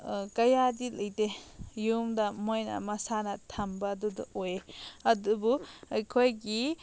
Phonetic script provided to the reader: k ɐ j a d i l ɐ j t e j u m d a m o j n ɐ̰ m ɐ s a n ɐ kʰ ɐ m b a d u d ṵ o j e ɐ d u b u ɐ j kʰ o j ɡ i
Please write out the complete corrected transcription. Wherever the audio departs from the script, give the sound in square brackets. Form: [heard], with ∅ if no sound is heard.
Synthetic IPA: k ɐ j a d i l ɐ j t e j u m d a m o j n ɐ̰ m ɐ s a n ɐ [tʰ] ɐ m b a d u d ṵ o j e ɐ d u b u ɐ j kʰ o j ɡ i